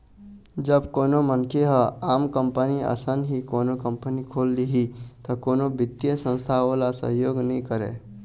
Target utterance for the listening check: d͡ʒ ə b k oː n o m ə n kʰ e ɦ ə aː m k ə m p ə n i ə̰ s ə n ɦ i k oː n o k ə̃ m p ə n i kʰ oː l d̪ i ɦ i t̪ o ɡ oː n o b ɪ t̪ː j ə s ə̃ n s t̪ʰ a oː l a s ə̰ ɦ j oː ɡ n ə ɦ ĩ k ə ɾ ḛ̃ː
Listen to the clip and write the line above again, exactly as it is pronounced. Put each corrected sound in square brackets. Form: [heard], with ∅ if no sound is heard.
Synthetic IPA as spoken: d͡ʒ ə b k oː n o m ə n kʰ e ɦ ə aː m k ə m p ə n i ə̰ s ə n ɦ i k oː n o k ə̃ m p ə n i kʰ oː l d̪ i ɦ i t̪ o [k] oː n o b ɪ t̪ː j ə s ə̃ n s t̪ʰ a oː l a s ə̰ ɦ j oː ɡ n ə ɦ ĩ k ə ɾ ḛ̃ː